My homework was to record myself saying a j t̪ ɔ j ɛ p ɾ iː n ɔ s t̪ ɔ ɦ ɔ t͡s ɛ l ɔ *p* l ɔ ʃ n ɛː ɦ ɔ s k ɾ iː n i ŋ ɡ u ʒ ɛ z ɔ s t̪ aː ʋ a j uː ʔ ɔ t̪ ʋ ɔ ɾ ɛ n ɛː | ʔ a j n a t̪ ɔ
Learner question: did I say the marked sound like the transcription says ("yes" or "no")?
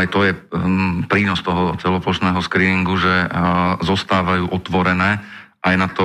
yes